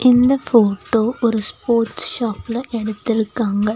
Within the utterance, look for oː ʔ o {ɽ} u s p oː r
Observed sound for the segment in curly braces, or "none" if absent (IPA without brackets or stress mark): ɾ